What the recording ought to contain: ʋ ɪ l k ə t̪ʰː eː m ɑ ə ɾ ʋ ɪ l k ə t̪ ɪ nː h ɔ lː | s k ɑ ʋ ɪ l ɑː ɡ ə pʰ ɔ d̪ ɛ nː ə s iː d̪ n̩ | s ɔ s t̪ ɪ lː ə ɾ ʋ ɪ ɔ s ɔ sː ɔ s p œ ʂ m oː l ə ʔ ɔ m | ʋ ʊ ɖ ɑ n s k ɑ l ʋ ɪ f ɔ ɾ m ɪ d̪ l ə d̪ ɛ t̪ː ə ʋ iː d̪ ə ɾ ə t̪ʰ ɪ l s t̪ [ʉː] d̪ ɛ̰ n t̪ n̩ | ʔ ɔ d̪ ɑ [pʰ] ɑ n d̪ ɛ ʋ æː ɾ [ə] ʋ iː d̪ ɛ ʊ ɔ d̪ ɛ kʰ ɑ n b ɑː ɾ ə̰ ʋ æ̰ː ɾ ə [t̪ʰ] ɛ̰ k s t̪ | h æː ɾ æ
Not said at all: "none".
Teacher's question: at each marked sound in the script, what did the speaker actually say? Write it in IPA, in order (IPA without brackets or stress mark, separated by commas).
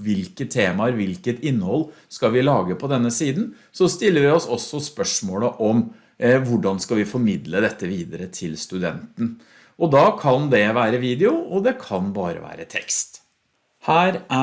ʉ, kʰ, ə, t̪ʰ